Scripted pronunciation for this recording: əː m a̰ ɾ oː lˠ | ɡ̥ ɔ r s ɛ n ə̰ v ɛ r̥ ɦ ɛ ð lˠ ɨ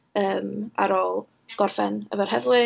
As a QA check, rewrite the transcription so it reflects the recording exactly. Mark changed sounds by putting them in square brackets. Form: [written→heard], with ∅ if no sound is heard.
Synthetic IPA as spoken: əː m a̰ ɾ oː lˠ | ɡ̥ ɔ r [s→f] ɛ n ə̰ v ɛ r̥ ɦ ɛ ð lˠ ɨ